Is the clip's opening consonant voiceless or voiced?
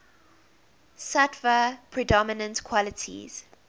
voiceless